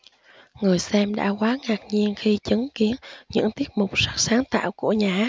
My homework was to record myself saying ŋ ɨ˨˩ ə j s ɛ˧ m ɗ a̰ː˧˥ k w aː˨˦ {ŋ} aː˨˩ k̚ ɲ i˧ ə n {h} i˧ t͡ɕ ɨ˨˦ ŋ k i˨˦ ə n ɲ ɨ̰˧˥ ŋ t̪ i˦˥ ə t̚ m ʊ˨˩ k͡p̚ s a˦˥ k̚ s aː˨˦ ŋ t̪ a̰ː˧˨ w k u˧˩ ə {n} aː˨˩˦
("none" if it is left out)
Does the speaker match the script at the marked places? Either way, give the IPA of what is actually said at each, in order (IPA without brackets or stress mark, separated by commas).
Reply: ŋ, x, ɲ